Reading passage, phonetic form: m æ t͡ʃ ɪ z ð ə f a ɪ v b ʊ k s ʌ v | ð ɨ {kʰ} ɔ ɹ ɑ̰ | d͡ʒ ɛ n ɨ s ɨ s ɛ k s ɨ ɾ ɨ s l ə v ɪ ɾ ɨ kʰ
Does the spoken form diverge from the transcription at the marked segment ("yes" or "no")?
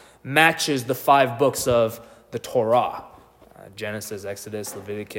yes